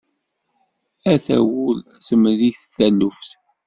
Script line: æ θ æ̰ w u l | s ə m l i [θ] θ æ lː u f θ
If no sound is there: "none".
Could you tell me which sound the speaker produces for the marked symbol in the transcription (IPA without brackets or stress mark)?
θ